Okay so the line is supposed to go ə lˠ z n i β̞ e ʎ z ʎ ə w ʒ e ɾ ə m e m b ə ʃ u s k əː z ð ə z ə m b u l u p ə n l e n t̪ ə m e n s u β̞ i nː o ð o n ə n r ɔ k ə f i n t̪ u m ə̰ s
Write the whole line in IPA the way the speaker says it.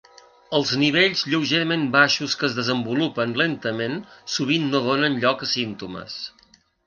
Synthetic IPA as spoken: ə lˠ z n i β̞ e ʎ z ʎ ə w ʒ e ɾ ə m e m b a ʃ u s k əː z ð ə z ə m b u l u p ə n l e n t̪ ə m e n s u β̞ i nː o ð o n ə n ʎ ɔ k ə s i n t̪ u m ə̰ s